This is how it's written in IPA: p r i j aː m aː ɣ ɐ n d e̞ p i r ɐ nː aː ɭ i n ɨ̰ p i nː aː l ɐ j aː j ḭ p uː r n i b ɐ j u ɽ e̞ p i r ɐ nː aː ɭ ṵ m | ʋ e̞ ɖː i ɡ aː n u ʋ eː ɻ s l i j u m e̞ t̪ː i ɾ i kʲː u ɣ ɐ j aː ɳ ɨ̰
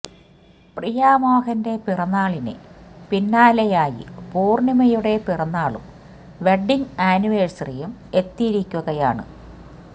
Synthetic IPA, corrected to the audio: p r i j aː m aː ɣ ɐ n d e̞ p i r ɐ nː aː ɭ i n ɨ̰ p i nː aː l ɐ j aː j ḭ p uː r n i m ɐ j u ɽ e̞ p i r ɐ nː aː ɭ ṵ m | ʋ e̞ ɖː i ŋ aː n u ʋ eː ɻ s r i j u m e̞ t̪ː i ɾ i kʲː u ɣ ɐ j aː ɳ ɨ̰

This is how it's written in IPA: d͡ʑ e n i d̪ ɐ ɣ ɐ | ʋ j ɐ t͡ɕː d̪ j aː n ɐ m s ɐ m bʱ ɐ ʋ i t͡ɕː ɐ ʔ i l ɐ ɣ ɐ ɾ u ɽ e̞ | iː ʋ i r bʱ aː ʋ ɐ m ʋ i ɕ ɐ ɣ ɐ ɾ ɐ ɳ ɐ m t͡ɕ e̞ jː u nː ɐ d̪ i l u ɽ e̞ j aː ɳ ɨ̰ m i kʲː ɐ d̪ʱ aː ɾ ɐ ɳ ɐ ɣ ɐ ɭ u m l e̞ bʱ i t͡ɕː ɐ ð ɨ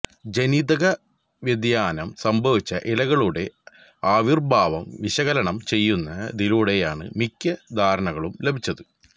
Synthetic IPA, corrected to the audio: d͡ʑ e n i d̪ ɐ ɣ ɐ | ʋ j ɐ d̪ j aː n ɐ m s ɐ m bʱ ɐ ʋ i t͡ɕː ɐ ʔ i l ɐ ɣ ɐ ɭ u ɽ e̞ | aː ʋ i r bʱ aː ʋ ɐ m ʋ i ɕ ɐ ɣ ɐ l ɐ ɳ ɐ m t͡ɕ e̞ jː u nː ɐ d̪ i l u ɽ e̞ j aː ɳ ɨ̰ m i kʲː ɐ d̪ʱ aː ɾ ɐ ɳ ɐ ɣ ɐ ɭ u m l e̞ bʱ i t͡ɕː ɐ ð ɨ

